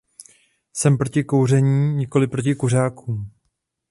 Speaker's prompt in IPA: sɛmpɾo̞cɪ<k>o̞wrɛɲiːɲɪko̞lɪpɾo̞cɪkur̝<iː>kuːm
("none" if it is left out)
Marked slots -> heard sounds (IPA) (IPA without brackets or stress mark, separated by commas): k, aː